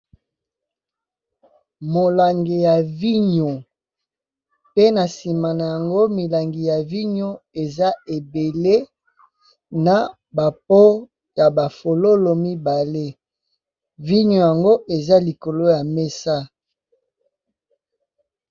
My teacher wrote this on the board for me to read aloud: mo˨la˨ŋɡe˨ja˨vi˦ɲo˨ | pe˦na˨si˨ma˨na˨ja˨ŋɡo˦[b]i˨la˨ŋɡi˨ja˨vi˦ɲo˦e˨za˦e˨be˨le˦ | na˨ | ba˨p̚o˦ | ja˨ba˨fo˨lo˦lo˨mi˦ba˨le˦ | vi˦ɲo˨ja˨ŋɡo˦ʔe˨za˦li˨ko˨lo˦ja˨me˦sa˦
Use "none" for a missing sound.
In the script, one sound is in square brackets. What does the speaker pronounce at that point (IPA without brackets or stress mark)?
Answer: m